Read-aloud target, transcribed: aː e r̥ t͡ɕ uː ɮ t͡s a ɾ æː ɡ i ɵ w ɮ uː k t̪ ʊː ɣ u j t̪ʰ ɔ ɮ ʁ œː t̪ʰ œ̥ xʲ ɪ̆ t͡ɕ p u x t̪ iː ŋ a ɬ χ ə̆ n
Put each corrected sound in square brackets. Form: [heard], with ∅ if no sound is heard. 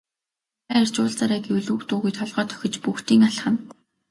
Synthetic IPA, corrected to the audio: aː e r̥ t͡ɕ [ʊː] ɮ t͡s a ɾ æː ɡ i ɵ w ɮ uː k t̪ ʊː ɣ u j t̪ʰ ɔ ɮ ʁ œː t̪ʰ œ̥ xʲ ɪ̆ t͡ɕ p u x t̪ iː ŋ a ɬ χ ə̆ n